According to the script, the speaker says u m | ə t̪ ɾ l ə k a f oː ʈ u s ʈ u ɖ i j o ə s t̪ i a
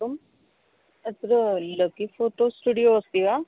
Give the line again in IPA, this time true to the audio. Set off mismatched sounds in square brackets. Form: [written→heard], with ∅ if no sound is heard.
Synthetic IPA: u m | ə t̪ ɾ l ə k [a→i] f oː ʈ [u→o] s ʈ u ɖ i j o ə s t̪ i a

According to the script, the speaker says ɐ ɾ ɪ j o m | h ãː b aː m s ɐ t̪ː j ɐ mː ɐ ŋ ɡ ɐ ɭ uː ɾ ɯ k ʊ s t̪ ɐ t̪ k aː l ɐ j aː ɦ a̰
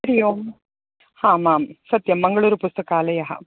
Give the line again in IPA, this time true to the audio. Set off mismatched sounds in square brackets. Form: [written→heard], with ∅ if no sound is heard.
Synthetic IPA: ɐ ɾ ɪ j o m | h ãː [b→m] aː m s ɐ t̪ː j ɐ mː ɐ ŋ ɡ ɐ ɭ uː ɾ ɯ [k→p] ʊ s t̪ ɐ [t̪→∅] k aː l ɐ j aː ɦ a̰

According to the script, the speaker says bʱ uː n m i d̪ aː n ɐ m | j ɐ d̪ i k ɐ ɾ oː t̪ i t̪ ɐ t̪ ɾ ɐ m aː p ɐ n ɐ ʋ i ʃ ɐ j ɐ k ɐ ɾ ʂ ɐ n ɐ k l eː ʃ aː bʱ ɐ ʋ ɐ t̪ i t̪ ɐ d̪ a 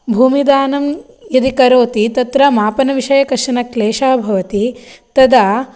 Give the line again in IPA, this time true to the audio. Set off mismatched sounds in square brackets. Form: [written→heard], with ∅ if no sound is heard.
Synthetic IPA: bʱ uː [n→∅] m i d̪ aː n ɐ m | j ɐ d̪ i k ɐ ɾ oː t̪ i t̪ ɐ t̪ ɾ ɐ m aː p ɐ n ɐ ʋ i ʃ ɐ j ɐ k ɐ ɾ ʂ ɐ n ɐ k l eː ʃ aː bʱ ɐ ʋ ɐ t̪ i t̪ ɐ d̪ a

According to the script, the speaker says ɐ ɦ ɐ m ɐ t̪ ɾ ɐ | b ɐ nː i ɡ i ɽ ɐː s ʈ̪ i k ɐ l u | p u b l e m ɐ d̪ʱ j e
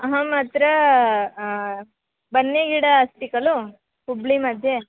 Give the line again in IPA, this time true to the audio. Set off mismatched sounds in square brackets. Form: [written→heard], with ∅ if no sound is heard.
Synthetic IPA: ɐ ɦ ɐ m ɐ t̪ ɾ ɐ | b ɐ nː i ɡ i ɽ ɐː s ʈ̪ i k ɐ l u | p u b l [e→i] m ɐ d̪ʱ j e

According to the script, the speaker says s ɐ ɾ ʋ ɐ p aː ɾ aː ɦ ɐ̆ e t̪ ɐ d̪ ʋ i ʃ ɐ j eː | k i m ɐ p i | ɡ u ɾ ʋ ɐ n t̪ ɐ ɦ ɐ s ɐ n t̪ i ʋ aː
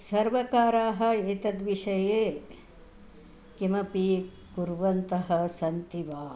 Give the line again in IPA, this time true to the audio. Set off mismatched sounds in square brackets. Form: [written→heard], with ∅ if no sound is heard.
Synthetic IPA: s ɐ ɾ ʋ ɐ [p→k] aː ɾ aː ɦ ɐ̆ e t̪ ɐ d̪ ʋ i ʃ ɐ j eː | k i m ɐ p i | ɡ u ɾ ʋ ɐ n t̪ ɐ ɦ ɐ s ɐ n t̪ i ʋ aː

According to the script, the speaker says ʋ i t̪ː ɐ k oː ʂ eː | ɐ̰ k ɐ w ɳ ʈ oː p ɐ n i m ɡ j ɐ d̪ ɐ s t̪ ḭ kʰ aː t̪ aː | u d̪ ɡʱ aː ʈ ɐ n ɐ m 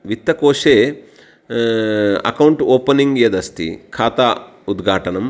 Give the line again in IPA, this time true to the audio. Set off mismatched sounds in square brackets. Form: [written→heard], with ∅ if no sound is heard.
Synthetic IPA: ʋ i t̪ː ɐ k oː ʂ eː | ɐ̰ k ɐ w ɳ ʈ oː p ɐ n i [m→ŋ] ɡ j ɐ d̪ ɐ s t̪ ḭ kʰ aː t̪ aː | u d̪ ɡʱ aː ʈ ɐ n ɐ m

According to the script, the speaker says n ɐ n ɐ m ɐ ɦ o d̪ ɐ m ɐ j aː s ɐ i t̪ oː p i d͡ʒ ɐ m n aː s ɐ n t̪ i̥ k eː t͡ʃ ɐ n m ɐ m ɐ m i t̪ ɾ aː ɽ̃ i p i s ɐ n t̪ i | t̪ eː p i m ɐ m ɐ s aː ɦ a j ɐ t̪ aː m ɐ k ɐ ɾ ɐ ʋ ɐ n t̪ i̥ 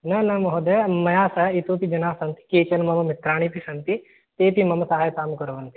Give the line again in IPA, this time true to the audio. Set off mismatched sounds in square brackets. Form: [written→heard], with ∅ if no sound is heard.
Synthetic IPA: n ɐ n ɐ m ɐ ɦ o d̪ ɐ m ɐ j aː s ɐ i t̪ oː p i d͡ʒ ɐ [m→∅] n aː s ɐ n t̪ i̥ k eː t͡ʃ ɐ n m ɐ m ɐ m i t̪ ɾ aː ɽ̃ i p i s ɐ n t̪ i | t̪ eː p i m ɐ m ɐ s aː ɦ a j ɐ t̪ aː m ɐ k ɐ ɾ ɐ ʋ ɐ n t̪ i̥

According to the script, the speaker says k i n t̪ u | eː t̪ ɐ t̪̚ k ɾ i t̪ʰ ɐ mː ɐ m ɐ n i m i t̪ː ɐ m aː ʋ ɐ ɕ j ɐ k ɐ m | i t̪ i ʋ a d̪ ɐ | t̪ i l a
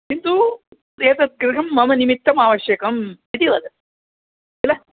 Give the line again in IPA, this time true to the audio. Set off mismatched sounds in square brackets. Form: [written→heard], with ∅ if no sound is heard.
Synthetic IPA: k i n t̪ u | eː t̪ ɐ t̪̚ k ɾ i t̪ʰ ɐ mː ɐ m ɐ n i m i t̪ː ɐ m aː ʋ ɐ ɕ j ɐ k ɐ m | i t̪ i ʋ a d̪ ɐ | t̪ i l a

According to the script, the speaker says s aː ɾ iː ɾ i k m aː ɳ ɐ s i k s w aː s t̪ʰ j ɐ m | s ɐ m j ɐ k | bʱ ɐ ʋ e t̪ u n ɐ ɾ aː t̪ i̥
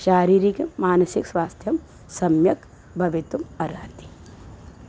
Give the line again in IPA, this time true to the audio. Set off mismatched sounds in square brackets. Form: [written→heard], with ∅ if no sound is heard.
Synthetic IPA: [s→ʃ] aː ɾ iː ɾ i k m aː [ɳ→n] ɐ s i k s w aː s t̪ʰ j ɐ m | s ɐ m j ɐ k | bʱ ɐ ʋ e t̪ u [n→m] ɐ ɾ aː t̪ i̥

